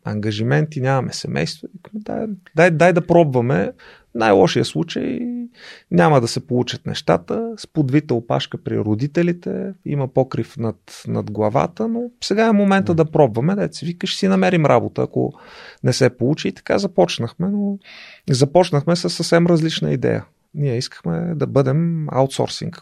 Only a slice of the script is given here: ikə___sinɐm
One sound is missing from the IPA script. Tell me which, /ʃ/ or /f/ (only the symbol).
ʃ